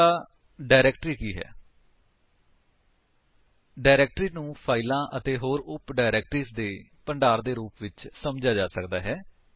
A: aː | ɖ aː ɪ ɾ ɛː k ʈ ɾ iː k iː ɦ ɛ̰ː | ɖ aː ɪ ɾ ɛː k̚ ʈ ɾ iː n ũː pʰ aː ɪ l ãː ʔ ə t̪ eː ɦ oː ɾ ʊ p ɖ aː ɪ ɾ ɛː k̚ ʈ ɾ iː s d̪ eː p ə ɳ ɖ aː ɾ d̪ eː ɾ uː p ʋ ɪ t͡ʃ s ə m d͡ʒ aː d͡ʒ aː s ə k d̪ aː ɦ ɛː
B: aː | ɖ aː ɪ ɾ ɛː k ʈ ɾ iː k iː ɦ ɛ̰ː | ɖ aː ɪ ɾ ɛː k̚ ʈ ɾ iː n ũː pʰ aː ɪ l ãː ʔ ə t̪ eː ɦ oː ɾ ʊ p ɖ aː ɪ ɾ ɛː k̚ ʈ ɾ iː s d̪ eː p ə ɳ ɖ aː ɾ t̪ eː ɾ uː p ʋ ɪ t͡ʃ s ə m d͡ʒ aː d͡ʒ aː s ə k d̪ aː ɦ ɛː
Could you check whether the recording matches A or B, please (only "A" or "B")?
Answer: A